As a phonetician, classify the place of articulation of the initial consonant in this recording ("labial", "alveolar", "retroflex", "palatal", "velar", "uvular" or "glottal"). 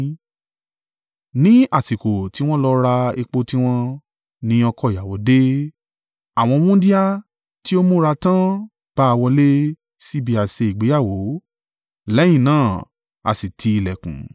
alveolar